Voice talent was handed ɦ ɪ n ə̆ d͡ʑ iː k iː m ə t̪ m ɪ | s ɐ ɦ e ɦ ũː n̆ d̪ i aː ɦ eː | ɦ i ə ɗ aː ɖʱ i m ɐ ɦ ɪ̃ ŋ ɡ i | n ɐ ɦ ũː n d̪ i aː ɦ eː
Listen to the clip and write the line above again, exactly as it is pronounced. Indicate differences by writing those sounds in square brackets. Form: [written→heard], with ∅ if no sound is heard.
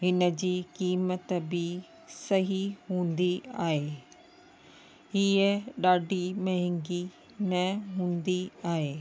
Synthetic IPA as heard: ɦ ɪ n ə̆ d͡ʑ iː k iː m ə t̪ [m→b] ɪ | s ɐ ɦ [e→i] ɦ ũː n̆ d̪ i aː ɦ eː | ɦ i ə ɗ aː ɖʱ i m ɐ ɦ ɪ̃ ŋ ɡ i | n ɐ ɦ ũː n d̪ i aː ɦ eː